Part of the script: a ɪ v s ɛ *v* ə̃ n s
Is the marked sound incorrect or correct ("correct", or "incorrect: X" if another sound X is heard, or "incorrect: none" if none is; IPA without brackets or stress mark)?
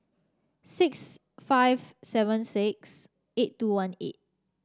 correct